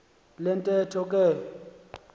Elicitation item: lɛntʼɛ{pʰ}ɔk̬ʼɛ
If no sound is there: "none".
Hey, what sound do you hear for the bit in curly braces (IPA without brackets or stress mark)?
tʰ